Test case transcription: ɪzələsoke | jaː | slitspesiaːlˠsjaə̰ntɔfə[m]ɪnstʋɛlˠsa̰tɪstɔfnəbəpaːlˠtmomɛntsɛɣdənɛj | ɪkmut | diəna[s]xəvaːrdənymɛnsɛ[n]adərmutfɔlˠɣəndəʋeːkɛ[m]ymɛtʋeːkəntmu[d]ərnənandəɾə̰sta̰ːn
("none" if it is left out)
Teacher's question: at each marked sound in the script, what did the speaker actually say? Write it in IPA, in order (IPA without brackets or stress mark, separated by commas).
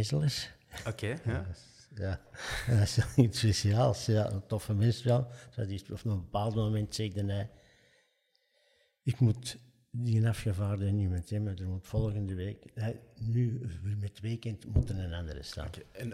m, f, m, n, t